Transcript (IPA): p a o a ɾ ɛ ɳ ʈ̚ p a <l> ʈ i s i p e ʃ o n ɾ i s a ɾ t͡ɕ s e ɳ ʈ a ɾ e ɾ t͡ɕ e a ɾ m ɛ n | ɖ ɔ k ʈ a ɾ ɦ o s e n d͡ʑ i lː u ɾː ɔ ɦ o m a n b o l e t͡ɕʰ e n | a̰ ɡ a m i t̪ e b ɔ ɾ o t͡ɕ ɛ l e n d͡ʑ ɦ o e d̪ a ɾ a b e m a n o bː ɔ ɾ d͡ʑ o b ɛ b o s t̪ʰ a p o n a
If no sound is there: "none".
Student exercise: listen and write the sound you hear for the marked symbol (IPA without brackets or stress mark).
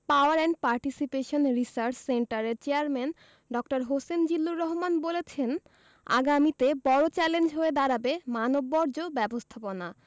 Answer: ɾ